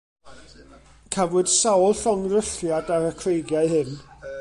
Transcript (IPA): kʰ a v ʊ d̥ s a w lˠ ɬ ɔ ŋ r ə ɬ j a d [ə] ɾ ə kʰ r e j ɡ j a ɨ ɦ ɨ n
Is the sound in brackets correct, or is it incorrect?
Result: incorrect